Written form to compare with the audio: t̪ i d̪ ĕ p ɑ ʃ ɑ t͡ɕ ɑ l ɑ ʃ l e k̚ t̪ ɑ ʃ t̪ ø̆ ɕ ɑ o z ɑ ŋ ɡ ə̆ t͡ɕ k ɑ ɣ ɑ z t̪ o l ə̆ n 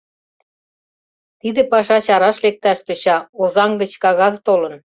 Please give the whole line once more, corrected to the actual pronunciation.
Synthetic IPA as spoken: t̪ i d̪ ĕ p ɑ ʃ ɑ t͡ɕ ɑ ɾ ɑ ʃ l e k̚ t̪ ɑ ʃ t̪ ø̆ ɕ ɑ o z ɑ ŋ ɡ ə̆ t͡ɕ k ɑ ɣ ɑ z t̪ o l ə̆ n